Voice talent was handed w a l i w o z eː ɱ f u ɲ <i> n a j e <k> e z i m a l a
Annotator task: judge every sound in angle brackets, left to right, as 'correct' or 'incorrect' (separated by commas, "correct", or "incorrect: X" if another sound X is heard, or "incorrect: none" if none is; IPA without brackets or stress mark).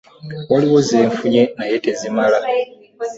incorrect: e, incorrect: t